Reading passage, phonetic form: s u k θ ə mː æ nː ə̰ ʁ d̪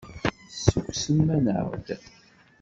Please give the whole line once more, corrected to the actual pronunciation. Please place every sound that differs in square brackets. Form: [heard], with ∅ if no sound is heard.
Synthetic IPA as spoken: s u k [s] ə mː æ [n] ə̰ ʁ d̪